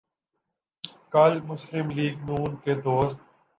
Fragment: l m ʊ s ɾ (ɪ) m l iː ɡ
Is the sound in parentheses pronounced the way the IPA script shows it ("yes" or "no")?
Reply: yes